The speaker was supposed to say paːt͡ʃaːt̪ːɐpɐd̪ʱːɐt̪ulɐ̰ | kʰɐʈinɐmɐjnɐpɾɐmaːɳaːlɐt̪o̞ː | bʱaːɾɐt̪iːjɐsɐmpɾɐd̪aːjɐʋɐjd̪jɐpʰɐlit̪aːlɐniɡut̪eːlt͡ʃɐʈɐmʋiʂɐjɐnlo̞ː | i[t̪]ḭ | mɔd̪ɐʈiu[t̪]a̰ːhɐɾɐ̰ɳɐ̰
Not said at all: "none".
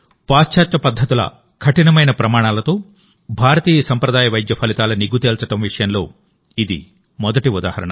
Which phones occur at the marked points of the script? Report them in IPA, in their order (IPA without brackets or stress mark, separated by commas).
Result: d̪, d̪